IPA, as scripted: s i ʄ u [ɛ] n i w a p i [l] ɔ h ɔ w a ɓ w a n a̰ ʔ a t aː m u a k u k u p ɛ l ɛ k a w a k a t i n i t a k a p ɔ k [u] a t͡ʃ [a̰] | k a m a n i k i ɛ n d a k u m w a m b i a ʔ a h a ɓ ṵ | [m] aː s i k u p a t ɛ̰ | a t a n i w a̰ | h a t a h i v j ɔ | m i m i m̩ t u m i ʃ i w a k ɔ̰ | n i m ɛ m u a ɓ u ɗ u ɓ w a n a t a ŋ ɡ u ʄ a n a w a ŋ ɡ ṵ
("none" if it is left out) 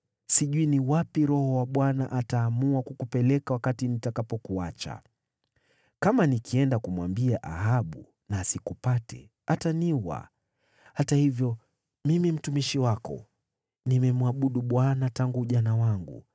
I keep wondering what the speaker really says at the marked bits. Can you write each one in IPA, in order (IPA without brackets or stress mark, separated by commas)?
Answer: i, ɾ, u, a̰, n